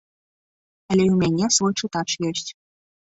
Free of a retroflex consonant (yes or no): no